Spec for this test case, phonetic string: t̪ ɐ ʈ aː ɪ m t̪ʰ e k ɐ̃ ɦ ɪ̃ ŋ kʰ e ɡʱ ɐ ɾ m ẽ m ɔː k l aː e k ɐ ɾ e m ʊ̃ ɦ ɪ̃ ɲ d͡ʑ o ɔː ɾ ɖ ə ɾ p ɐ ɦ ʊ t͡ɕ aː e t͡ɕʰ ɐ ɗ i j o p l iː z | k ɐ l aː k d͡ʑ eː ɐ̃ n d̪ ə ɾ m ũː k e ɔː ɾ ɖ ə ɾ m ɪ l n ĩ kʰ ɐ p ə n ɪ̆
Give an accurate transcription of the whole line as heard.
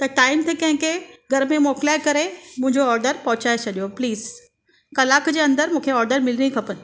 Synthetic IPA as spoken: t̪ ɐ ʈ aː ɪ m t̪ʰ e k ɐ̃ ɦ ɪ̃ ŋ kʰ e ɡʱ ɐ ɾ m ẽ m ɔː k l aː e k ɐ ɾ e m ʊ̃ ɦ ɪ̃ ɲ d͡ʑ o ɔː ɾ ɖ ə ɾ p ɐ ɦ ʊ t͡ɕ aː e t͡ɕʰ ɐ ɗ i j o p l iː z | k ɐ l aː k d͡ʑ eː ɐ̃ n d̪ ə ɾ m ũː kʰ e ɔː ɾ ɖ ə ɾ m ɪ l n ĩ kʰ ɐ p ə n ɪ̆